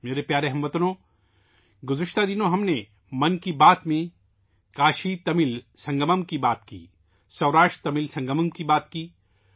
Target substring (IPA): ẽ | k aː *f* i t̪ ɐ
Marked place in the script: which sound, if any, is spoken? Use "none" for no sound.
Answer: ʃ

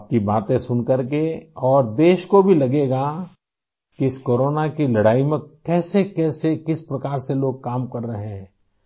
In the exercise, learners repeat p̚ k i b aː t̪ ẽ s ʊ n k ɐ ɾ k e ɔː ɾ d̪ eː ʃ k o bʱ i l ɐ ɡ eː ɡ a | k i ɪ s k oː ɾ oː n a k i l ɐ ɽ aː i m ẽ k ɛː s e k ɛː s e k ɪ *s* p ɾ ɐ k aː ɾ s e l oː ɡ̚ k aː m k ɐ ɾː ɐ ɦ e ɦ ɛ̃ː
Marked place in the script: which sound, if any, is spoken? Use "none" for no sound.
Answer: s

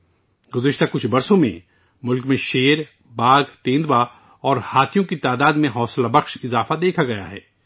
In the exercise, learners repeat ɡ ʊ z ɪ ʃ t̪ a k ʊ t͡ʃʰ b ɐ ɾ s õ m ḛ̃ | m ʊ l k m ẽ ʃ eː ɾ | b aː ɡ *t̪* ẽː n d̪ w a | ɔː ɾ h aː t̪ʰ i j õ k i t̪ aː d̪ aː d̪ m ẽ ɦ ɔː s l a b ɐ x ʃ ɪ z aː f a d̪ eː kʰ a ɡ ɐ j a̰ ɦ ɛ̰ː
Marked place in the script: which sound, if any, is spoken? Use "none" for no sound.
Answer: t̪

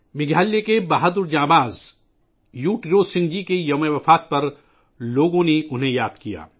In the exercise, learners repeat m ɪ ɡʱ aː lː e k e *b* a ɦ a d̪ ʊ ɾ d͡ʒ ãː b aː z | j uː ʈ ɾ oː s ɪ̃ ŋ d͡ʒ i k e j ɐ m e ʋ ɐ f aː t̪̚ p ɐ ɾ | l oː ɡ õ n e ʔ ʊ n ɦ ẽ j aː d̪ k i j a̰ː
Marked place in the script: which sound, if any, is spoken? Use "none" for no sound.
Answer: b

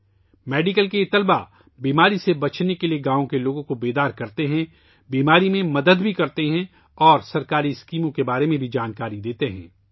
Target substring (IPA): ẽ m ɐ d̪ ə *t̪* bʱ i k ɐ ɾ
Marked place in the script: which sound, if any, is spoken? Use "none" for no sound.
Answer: d̪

